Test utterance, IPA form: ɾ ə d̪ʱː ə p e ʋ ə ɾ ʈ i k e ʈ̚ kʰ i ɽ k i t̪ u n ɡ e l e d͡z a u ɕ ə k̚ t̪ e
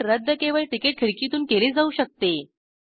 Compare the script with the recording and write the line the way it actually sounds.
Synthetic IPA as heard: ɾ ə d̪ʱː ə k e ʋ ə ɭ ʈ i k e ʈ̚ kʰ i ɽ k i t̪ uː n k e l e d͡z a u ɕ ə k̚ t̪ e